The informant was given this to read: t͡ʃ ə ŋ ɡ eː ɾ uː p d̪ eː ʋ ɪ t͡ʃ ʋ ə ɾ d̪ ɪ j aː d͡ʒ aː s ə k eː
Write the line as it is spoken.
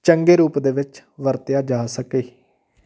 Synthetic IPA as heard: t͡ʃ ə ŋ ɡ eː ɾ uː p d̪ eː ʋ ɪ t͡ʃ ʋ ə ɾ t̪ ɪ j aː d͡ʒ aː s ə k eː